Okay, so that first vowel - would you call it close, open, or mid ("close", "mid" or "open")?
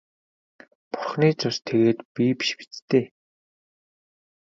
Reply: close